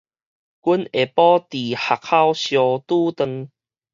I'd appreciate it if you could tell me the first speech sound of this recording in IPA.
k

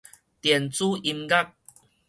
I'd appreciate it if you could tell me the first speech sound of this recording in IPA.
t̪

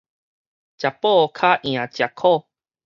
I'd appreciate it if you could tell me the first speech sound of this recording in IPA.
t͡ɕ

